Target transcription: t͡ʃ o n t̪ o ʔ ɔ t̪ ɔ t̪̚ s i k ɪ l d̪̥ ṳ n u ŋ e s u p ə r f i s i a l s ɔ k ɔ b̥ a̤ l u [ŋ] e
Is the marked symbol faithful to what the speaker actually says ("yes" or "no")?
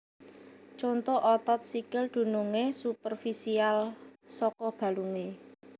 yes